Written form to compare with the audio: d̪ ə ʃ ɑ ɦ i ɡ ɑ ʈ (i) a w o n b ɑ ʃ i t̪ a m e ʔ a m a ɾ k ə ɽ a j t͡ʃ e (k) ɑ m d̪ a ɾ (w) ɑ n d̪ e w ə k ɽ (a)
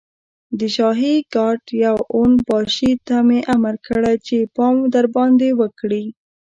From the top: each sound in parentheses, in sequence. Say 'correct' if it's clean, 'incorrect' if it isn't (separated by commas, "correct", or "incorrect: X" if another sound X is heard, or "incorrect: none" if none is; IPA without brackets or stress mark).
incorrect: j, incorrect: p, incorrect: b, incorrect: i